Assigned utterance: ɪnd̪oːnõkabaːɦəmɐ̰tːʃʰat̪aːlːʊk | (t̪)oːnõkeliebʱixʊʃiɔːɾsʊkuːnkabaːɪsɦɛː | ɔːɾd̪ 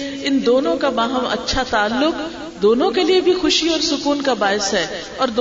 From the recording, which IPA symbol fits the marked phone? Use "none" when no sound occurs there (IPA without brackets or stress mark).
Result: d̪